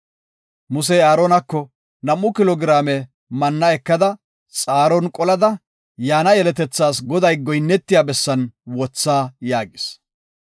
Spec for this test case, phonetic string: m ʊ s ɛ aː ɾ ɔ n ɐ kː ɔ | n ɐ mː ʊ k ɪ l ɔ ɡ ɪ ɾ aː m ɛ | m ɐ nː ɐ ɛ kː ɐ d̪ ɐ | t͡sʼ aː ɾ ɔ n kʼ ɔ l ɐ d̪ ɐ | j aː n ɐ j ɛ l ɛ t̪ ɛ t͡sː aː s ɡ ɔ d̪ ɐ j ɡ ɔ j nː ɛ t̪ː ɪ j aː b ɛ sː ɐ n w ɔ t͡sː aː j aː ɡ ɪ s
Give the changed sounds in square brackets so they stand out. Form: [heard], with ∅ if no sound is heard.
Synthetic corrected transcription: m ʊ s ɛ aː ɾ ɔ n ɐ kː ɔ | n ɐ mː ʊ k ɪ l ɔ ɡ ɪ ɾ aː m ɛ | m ɐ nː ɐ ɛ kː ɐ d̪ ɐ | t͡sʼ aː ɾ ɔ n kʼ ɔ l ɐ d̪ ɐ | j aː n ɐ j ɛ l ɛ t̪ ɛ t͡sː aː s ɡ ɔ d̪ ɐ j ɡ ɔ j nː ɛ t̪ː ɪ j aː b ɛ sː ɐ n w ɔ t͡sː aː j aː ɡ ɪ s